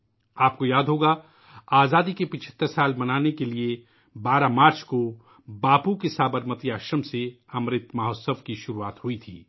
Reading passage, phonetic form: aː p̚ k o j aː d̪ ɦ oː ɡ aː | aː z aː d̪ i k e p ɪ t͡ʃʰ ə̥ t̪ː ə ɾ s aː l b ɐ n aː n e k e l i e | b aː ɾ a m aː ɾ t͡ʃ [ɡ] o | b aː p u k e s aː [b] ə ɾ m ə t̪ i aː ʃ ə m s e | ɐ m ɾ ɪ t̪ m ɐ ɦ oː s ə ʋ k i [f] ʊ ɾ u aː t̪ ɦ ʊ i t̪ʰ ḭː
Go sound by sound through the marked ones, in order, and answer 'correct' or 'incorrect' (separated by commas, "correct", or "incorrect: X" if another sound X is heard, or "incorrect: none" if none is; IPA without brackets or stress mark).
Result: incorrect: k, correct, incorrect: ʃ